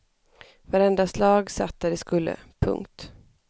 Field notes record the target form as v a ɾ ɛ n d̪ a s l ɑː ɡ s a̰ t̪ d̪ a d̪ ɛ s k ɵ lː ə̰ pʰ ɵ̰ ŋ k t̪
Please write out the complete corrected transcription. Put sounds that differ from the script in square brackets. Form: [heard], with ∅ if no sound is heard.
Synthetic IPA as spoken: v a ɾ ɛ n d̪ a s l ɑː ɡ s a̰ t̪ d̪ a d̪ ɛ s k ɵ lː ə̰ pʰ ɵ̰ ŋ k t̪